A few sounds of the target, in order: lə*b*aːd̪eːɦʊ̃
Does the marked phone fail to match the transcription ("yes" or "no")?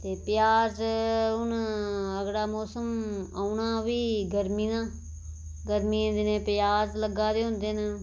yes